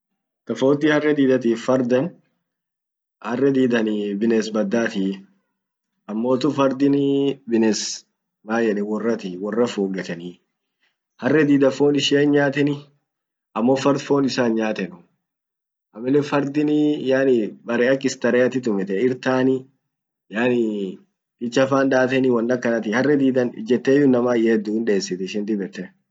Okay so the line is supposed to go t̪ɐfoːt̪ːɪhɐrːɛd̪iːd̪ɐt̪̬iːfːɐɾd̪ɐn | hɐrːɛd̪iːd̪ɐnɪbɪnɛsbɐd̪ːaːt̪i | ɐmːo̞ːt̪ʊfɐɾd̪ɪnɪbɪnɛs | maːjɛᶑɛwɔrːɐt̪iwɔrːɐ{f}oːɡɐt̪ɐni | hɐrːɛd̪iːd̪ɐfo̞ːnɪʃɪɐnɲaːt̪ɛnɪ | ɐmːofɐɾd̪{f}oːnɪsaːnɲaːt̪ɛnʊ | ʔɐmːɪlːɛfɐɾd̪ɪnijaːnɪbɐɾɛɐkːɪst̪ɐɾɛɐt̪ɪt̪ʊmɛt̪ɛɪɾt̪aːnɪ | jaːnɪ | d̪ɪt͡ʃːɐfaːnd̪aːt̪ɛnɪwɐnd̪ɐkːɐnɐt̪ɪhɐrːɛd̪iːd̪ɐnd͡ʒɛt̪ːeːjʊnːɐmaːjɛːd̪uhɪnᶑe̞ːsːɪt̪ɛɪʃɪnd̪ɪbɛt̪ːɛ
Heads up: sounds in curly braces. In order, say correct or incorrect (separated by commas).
correct, correct